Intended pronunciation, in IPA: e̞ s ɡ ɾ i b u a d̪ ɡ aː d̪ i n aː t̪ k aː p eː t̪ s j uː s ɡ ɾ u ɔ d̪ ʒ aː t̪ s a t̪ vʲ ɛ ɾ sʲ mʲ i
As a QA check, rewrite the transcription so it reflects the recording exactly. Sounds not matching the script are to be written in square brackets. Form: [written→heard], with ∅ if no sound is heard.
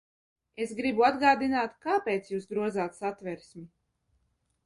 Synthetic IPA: e̞ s ɡ ɾ i b u a d̪ ɡ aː d̪ i n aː t̪ k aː p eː t̪ s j uː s ɡ ɾ u ɔ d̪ [ʒ→z] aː t̪ s a t̪ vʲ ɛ ɾ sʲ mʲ i